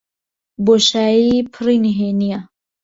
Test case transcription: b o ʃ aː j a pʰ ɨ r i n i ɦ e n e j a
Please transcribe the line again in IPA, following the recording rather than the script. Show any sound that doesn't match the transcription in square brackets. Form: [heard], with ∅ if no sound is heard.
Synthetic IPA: b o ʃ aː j [i] pʰ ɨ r i n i ɦ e n [i] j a